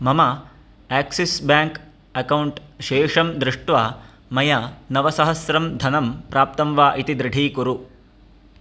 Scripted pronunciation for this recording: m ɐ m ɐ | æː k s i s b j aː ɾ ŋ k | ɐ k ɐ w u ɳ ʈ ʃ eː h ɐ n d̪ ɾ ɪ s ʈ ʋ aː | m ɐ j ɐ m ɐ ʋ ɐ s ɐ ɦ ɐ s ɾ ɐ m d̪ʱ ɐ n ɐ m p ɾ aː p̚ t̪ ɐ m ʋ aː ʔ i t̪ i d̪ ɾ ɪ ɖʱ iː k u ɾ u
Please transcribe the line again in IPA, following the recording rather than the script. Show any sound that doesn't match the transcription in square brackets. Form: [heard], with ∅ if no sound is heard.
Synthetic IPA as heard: m ɐ m ɐ | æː k s i s b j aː [∅] ŋ k | ɐ k ɐ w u ɳ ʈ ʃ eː [ʂ] ɐ [m] d̪ ɾ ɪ [ʂ] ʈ ʋ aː | m ɐ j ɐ [n] ɐ ʋ ɐ s ɐ ɦ ɐ s ɾ ɐ m d̪ʱ ɐ n ɐ m p ɾ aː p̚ t̪ ɐ m ʋ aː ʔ i t̪ i d̪ ɾ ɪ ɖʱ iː k u ɾ u